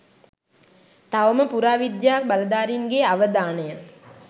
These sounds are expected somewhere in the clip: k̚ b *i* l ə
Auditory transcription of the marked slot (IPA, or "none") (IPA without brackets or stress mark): a